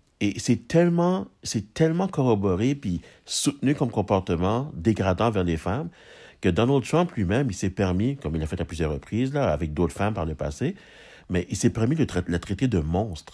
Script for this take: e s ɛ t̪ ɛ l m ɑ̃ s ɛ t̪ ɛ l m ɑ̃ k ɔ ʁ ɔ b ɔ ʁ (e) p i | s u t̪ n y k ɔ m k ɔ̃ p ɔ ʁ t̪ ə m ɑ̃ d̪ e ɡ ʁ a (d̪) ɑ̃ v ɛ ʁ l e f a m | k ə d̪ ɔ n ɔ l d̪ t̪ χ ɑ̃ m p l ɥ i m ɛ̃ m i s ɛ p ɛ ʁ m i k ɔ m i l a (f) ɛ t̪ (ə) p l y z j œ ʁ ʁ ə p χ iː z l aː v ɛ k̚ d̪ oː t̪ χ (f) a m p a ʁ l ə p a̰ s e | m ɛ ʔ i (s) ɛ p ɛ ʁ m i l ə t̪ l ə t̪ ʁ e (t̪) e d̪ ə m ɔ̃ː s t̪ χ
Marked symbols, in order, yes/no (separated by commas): yes, yes, yes, no, yes, yes, yes